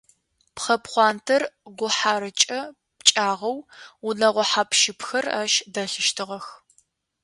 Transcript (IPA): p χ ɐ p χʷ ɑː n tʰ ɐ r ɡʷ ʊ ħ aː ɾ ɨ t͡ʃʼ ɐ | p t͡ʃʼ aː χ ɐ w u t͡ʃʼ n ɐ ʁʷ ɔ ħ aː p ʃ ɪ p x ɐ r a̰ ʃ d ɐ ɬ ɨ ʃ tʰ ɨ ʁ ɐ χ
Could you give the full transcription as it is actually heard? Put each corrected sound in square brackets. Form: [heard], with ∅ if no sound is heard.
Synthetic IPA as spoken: p χ ɐ p χʷ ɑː n tʰ ɐ r ɡʷ ʊ ħ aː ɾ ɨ t͡ʃʼ ɐ | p t͡ʃʼ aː [ʁ] ɐ w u [∅] n ɐ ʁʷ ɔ ħ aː p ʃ ɪ p x ɐ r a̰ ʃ d ɐ ɬ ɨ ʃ tʰ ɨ ʁ ɐ [x]